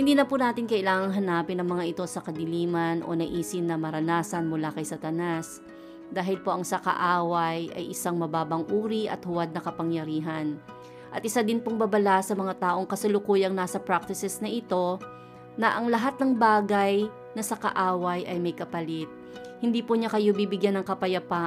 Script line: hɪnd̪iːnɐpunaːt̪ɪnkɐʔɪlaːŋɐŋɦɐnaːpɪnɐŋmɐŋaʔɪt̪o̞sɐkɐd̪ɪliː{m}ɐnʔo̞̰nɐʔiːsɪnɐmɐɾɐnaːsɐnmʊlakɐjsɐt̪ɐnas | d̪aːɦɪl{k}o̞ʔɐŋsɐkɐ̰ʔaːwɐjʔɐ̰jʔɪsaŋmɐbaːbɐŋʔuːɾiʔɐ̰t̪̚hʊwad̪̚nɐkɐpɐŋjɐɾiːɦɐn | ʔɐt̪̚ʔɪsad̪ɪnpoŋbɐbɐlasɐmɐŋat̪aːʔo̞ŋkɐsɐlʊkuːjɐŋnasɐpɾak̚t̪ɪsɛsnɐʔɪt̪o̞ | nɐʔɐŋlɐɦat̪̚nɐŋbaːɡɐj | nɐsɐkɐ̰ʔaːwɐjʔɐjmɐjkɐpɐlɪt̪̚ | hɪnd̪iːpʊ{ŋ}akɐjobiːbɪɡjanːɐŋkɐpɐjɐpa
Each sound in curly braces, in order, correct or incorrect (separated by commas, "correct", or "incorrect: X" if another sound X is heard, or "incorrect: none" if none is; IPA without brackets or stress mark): correct, incorrect: p, incorrect: ɲ